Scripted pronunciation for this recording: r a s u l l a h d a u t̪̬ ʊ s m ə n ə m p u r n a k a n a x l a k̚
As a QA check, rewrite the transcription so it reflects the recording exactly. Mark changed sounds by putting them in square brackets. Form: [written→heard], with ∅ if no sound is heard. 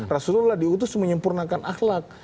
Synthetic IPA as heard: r a s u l l a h d [a→i] u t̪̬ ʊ s m ə [n→ɲ] ə m p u r n a k a n a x l a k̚

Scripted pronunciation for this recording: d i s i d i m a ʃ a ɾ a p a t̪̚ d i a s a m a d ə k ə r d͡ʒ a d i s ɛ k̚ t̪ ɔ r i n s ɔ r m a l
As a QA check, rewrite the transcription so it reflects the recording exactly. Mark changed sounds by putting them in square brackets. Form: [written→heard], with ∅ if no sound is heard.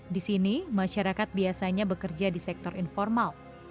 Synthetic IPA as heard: d i s i [d→n] i m a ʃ a ɾ a [p→k] a t̪̚ [d→b] i a s a [m→ɲ] a [d→b] ə k ə r d͡ʒ a d i s ɛ k̚ t̪ ɔ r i n [s→f] ɔ r m a l

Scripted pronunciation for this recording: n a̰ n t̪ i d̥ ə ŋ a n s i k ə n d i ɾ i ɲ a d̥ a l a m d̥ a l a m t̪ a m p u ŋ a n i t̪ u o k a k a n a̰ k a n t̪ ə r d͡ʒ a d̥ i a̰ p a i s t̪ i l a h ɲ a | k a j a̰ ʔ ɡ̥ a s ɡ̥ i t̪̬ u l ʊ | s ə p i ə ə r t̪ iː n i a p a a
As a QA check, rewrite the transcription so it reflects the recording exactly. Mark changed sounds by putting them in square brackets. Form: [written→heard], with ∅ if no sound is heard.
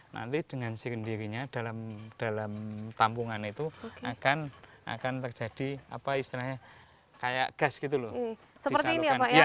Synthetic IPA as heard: n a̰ n t̪ i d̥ ə ŋ a n s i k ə n d i ɾ i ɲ a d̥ a l a m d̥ a l a m t̪ a m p u ŋ a n i t̪ u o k a k a n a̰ k a n t̪ ə r d͡ʒ a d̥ i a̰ p a i s t̪ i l a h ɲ a | k a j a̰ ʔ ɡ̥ a s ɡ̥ i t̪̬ u l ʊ | s ə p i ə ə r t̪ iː n i a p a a

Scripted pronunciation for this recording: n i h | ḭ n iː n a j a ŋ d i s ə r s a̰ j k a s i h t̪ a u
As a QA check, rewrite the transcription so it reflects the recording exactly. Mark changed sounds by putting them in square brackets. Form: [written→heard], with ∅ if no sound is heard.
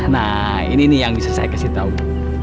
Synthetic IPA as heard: n [i→a] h | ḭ n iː n [a→i] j a ŋ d i s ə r s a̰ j k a s i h t̪ a u

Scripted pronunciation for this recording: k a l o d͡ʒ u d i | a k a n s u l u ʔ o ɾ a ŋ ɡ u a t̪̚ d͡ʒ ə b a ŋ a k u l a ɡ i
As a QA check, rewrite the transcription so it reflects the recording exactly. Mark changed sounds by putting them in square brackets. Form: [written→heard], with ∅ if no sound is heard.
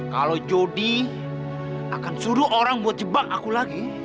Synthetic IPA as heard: k a l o d͡ʒ [u→o] d i | a k a n s u [l→ɾ] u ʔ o ɾ a ŋ [ɡ→b] u a t̪̚ d͡ʒ ə b a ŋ a k u l a ɡ i

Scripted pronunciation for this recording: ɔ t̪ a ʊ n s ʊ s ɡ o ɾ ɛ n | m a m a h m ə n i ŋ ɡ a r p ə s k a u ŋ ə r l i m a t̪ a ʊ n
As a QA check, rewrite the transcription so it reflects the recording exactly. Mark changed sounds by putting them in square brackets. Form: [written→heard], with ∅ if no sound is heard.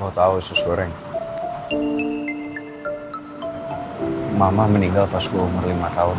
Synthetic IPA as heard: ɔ t̪ a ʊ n s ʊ s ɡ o ɾ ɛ [n→ŋ] | m a m a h m ə n i ŋ ɡ a [r→l] p [ə→a] s k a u [ŋ→m] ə r l i m a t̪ a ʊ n

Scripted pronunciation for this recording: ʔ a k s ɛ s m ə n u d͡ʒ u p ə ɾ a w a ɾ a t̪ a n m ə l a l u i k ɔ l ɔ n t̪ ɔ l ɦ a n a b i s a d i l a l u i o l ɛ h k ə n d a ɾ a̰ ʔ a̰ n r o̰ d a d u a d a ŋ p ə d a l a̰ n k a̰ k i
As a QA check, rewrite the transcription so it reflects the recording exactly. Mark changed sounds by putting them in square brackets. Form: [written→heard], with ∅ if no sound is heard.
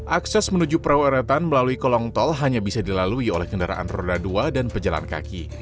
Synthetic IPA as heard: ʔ a k s ɛ s m ə n u d͡ʒ u p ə ɾ a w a ɾ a t̪ a n m ə l a l u i k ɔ l ɔ [n→ŋ] t̪ ɔ l ɦ a [n→ɲ] a b i s a d i l a l u i o l ɛ h k ə n d a ɾ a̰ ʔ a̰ n r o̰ d a d u a d a [ŋ→n] p ə [d→d͡ʒ] a l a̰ n k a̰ k i

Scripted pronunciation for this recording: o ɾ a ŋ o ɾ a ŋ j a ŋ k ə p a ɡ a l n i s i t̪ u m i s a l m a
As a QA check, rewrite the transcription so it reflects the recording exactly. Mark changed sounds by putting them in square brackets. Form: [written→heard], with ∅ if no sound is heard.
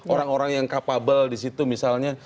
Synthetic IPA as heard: o ɾ a ŋ o ɾ a ŋ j a ŋ k [ə→a] p a [ɡ→b] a l [n→d] i s i t̪ u m i s a l [m→ɲ] a

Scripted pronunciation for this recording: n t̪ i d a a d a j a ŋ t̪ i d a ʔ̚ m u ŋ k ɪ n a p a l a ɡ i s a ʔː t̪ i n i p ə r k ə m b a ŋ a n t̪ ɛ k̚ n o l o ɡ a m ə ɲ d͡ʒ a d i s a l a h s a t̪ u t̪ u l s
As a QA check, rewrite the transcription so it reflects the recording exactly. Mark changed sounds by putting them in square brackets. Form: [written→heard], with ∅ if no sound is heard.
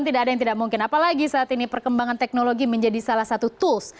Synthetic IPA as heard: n t̪ i d a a d a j a ŋ t̪ i d a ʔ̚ m u ŋ k ɪ n a p a l a ɡ i s a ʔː t̪ i n i p ə r k ə m b a ŋ a n t̪ ɛ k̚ n o l o ɡ [a→i] m ə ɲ d͡ʒ a d i s a l a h s a t̪ u t̪ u l s

